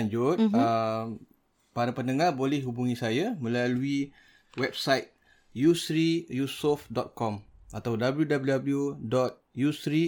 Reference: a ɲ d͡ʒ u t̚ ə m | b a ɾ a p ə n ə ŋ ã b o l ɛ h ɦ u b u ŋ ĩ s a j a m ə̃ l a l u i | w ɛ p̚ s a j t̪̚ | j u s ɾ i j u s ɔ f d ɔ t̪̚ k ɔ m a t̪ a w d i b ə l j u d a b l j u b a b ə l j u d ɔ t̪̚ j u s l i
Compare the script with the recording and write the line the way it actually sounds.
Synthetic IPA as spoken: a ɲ d͡ʒ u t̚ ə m | p a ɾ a p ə n ə ŋ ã b o l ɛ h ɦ u b u ŋ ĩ s a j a m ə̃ l a l u i | w ɛ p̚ s a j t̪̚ | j u s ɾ i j u s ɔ f d ɔ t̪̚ k ɔ m a t̪ a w d a b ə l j u d a b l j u d a b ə l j u d ɔ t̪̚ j u s ɾ i